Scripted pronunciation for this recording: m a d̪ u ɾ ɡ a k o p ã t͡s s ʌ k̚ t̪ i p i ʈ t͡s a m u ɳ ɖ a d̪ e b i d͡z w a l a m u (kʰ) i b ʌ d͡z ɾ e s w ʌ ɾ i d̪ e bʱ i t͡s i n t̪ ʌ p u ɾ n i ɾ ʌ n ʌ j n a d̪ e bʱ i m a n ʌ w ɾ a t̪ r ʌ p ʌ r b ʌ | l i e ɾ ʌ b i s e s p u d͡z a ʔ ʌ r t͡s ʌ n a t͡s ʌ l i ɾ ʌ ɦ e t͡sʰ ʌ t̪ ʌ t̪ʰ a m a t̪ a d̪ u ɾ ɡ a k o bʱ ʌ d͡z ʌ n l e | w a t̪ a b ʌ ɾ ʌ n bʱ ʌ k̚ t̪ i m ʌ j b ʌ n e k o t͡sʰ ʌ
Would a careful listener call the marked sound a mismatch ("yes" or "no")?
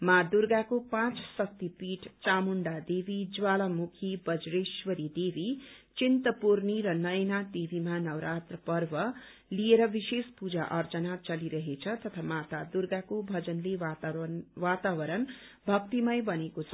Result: no